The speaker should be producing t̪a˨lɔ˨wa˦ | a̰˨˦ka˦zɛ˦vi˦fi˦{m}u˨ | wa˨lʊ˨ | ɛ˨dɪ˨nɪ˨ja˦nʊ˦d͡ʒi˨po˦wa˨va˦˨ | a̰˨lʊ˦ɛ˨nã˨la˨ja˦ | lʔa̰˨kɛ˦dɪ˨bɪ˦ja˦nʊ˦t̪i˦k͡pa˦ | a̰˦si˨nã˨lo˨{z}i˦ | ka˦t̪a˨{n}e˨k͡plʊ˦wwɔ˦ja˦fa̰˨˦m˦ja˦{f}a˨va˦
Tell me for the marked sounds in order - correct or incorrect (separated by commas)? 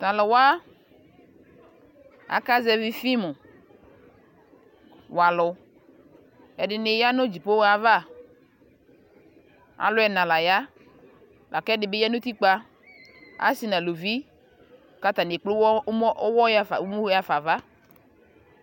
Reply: correct, incorrect, correct, correct